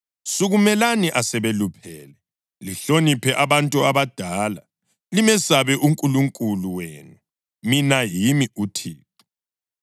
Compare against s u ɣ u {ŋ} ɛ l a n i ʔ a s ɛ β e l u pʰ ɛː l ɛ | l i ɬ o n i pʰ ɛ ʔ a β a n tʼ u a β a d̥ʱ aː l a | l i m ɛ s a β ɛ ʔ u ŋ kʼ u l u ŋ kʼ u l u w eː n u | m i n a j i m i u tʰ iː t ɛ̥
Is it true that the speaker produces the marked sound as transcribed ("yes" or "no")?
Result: no